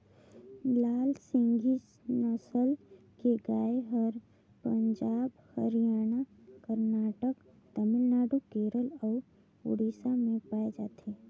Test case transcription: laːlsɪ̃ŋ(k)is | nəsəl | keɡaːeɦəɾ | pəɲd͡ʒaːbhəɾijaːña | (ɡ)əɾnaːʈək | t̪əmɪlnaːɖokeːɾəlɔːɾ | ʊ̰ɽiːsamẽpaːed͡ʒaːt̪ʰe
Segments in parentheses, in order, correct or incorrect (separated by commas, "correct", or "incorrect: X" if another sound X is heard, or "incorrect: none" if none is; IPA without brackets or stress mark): incorrect: ɡ, incorrect: k